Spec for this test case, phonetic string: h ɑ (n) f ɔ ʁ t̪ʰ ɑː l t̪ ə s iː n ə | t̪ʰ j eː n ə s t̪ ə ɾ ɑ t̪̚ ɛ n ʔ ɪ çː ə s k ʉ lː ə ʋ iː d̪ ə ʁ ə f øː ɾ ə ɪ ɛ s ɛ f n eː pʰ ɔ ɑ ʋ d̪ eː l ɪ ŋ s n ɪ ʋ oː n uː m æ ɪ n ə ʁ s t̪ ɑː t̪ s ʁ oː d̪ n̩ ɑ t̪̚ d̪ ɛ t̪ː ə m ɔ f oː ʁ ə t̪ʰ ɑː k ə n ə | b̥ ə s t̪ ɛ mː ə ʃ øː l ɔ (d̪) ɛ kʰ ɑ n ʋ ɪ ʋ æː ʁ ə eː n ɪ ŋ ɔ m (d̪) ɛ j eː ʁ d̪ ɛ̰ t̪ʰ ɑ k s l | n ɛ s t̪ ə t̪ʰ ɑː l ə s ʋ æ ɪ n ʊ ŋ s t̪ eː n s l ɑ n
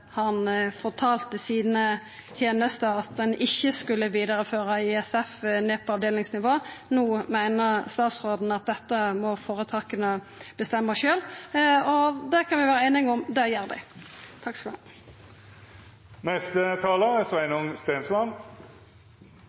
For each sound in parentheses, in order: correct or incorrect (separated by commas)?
correct, correct, correct